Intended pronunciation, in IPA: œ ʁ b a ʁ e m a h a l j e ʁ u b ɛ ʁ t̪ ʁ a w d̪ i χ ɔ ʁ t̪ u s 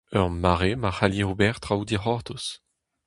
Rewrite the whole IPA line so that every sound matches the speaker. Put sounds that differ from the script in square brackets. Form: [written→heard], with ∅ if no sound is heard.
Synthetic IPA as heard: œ ʁ [b→m] a ʁ e m a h a l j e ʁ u b ɛ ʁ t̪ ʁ a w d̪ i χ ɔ ʁ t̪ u s